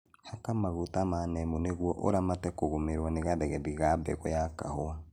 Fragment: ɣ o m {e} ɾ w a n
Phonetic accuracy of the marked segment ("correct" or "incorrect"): correct